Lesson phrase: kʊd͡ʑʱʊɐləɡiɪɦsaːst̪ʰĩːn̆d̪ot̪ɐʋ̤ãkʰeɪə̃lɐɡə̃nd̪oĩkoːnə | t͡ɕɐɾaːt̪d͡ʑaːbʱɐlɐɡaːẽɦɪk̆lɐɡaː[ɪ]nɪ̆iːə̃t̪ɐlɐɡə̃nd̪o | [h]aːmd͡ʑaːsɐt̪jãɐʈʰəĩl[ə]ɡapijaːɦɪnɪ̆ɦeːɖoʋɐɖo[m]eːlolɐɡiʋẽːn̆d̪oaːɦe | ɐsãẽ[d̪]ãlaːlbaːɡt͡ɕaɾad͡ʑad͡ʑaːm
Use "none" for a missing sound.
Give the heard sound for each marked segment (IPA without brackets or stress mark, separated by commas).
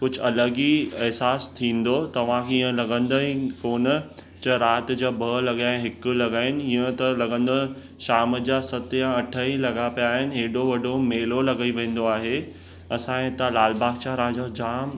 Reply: ɪ, ʃ, ɐ, m, t̪